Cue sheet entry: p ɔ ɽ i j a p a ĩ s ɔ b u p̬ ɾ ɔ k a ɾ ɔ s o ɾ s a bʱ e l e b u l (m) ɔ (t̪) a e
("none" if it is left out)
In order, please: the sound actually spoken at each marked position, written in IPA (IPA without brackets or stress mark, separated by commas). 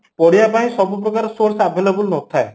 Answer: n, t̪ʰ